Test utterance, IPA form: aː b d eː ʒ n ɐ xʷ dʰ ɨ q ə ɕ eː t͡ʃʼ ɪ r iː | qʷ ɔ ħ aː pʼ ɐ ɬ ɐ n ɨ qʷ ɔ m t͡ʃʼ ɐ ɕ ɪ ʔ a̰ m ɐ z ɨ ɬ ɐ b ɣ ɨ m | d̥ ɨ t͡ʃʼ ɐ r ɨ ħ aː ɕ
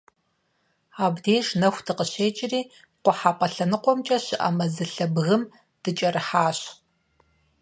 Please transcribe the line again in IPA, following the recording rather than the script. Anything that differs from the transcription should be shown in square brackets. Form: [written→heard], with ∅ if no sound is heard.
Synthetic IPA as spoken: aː b d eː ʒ n ɐ xʷ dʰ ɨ q ə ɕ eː t͡ʃʼ ɪ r iː | qʷ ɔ ħ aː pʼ ɐ ɬ ɐ n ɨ qʷ ɔ m t͡ʃʼ ɐ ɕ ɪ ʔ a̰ m ɐ z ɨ ɬ ɐ b ɣ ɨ m | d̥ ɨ t͡ʃʼ ɐ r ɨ ħ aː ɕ